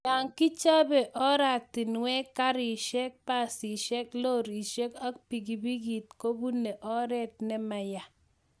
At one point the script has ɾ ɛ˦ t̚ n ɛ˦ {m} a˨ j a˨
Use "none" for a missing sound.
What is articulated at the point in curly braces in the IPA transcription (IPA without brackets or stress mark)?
m